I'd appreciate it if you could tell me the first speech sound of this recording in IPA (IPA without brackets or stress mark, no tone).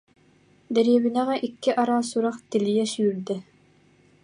d̪